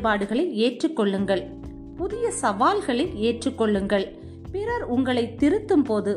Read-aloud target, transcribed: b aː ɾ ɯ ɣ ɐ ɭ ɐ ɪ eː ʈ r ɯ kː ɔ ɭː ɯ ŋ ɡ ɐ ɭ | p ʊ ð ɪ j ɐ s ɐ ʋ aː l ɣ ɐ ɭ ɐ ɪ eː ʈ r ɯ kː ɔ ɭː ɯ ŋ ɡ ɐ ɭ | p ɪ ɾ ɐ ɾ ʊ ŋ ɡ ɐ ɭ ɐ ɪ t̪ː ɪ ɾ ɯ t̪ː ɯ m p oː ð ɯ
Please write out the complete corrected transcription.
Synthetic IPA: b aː ɽ ɯ ɣ ɐ ɭ ɐ ɪ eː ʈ r ɯ kː ɔ ɭː ɯ ŋ ɡ ɐ ɭ | p ʊ ð ɪ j ɐ s ɐ ʋ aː l ɣ ɐ ɭ ɐ ɪ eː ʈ r ɯ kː ɔ ɭː ɯ ŋ ɡ ɐ ɭ | p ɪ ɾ ɐ ɾ ʊ ŋ ɡ ɐ ɭ ɐ ɪ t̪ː ɪ ɾ ɯ t̪ː ɯ m p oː ð ɯ